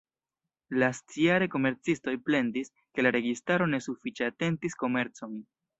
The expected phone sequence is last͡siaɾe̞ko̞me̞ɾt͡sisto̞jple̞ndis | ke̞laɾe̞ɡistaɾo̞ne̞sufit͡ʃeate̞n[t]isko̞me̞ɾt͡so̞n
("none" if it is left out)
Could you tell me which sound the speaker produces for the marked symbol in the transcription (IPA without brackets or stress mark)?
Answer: t